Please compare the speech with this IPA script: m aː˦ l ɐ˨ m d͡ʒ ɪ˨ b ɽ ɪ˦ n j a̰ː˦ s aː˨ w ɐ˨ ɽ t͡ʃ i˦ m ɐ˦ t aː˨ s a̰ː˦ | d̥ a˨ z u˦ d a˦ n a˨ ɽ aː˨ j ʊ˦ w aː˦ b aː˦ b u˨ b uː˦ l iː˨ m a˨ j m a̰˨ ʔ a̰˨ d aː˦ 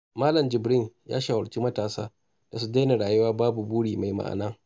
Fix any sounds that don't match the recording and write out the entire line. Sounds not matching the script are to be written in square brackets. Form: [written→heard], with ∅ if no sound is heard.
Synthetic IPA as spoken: m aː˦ l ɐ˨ m d͡ʒ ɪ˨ b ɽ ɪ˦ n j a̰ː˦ [s→ʃ] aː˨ w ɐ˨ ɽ t͡ʃ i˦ m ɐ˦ t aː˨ s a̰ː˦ | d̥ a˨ [z→s] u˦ d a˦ n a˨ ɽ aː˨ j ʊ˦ w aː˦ b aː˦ b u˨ b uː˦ [l→ɽ] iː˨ m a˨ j m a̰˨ ʔ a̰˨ [d→n] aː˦